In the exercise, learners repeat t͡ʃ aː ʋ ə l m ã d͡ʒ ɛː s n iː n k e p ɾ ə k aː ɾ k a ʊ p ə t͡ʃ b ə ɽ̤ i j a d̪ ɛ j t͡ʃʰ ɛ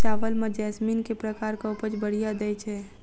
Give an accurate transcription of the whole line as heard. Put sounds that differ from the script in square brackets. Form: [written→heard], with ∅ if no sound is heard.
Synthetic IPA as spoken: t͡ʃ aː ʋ ə l m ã d͡ʒ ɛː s [n→m] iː n k e p ɾ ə k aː ɾ k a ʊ p ə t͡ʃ b ə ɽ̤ i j a d̪ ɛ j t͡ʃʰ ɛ